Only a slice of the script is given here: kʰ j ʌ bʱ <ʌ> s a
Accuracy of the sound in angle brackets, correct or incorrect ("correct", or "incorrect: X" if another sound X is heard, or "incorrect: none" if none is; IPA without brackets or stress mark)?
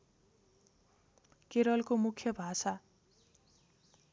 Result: incorrect: a